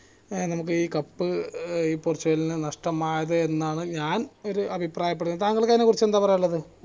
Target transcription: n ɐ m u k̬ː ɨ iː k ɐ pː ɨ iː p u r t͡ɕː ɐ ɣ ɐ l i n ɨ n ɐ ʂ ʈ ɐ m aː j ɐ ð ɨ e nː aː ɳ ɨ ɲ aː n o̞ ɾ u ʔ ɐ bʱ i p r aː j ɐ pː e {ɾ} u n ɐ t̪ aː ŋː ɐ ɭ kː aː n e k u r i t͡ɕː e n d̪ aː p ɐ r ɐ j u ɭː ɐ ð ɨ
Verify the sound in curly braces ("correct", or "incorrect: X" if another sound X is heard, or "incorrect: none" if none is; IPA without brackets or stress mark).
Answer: incorrect: ɽ